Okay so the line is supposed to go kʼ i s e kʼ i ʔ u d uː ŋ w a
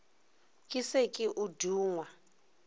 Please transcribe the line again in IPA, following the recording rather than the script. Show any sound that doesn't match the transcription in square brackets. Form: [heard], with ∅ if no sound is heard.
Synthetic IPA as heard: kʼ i s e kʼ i ʔ u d uː ŋ w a